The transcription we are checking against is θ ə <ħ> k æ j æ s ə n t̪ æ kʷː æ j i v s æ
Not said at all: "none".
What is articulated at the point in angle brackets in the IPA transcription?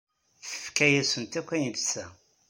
f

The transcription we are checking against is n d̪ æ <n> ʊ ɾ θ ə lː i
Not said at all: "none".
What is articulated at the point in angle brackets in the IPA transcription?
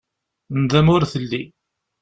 m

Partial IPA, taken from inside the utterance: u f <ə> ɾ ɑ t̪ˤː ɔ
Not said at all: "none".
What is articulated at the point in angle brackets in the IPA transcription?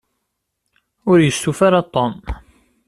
a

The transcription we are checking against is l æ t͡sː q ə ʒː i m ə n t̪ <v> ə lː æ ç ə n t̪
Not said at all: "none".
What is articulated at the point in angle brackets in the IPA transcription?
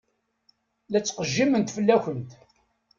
f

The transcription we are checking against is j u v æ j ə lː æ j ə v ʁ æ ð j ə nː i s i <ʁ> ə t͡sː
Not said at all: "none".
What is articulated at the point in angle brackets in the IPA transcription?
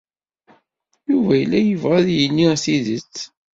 ð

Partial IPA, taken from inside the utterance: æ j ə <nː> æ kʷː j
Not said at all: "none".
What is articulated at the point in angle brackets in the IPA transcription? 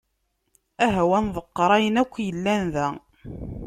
n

